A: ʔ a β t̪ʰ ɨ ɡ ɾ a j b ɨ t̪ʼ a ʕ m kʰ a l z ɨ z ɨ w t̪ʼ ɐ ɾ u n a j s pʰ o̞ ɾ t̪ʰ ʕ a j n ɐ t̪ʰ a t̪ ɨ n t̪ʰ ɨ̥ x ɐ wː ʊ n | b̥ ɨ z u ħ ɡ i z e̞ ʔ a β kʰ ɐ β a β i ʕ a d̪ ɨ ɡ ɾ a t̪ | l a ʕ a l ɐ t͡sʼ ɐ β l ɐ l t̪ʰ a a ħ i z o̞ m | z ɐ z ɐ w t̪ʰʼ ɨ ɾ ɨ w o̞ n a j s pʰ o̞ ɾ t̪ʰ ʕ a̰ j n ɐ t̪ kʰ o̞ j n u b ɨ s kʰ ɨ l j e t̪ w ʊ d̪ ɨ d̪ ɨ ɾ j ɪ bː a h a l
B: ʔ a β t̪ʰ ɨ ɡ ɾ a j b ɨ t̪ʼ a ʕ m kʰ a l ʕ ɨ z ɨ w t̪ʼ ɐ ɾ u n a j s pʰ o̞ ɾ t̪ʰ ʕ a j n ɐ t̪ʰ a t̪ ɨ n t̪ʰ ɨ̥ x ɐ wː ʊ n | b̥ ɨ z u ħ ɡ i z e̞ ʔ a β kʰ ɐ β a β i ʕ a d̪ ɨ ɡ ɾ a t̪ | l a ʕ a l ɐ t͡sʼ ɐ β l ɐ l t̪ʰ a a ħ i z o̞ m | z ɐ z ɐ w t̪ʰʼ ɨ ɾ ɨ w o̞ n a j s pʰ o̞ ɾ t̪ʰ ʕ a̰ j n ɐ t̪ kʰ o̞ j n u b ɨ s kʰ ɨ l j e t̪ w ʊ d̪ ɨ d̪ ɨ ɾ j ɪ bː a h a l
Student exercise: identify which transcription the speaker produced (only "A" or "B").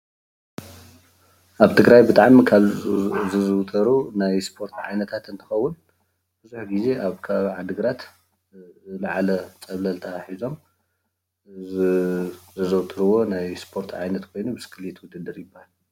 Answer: A